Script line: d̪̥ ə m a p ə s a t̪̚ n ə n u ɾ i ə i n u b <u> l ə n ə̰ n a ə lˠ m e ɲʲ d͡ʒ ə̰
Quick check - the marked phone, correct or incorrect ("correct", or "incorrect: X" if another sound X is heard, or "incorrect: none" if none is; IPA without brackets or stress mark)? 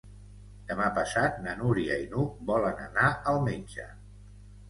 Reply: incorrect: ɔ